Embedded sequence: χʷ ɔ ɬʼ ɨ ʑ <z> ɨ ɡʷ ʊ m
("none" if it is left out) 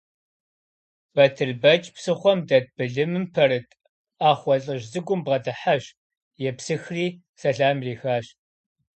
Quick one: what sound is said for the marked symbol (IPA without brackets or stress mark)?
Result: z